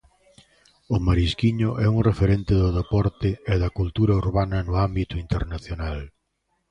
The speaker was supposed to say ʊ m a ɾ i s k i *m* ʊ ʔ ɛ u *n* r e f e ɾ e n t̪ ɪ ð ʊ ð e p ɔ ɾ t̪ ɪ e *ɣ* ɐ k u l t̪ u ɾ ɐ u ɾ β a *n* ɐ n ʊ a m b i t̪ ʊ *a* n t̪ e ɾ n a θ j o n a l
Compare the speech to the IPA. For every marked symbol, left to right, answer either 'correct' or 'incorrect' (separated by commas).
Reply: incorrect, incorrect, incorrect, correct, incorrect